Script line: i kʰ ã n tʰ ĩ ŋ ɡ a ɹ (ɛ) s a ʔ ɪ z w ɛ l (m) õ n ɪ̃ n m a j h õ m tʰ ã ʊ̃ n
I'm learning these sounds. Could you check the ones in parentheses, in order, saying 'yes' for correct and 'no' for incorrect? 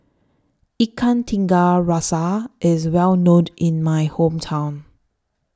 no, no

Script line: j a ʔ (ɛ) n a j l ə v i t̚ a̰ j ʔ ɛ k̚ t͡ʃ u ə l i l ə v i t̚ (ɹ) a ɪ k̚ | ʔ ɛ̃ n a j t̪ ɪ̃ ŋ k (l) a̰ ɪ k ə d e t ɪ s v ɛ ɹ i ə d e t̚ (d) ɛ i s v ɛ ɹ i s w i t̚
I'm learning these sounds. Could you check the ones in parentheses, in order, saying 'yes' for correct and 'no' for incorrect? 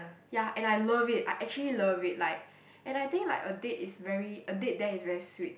no, no, yes, yes

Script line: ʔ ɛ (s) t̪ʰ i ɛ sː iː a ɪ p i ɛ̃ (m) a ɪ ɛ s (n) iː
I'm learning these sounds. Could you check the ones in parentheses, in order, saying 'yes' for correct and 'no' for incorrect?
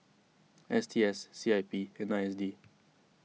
yes, no, no

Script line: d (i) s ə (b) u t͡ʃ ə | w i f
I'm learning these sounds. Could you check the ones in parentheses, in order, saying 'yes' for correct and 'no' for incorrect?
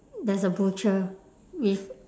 no, yes

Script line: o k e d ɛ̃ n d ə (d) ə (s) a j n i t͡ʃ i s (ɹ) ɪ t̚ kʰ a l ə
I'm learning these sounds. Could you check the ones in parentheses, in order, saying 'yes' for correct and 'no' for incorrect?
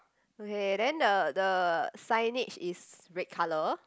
yes, yes, yes

